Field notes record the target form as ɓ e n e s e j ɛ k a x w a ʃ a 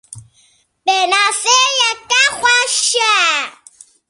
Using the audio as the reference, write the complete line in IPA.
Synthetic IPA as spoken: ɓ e n a s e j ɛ k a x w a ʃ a